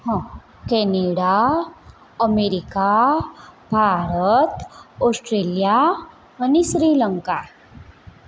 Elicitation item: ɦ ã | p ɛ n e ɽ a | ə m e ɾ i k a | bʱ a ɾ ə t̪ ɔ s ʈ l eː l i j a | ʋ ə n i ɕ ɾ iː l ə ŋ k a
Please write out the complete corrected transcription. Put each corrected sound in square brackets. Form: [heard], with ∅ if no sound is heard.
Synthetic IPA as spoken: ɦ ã | [k] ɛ n e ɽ a | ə m e ɾ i k a | bʱ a ɾ ə t̪ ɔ s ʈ [ɾ] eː l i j a | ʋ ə n i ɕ ɾ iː l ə ŋ k a